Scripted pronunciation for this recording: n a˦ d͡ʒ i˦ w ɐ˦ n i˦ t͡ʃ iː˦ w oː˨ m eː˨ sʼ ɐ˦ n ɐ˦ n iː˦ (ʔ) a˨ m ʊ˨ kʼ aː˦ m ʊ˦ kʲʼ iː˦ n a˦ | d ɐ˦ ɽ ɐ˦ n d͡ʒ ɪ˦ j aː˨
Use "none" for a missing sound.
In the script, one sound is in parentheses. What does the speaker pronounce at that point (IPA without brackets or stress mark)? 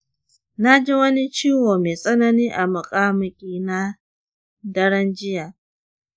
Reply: ʔ